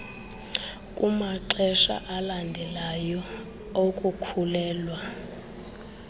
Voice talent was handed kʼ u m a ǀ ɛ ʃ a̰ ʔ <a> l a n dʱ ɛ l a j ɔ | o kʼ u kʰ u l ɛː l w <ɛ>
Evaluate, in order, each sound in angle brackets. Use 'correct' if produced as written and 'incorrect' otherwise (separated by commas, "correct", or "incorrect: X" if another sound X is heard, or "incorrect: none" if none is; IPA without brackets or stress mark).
correct, incorrect: a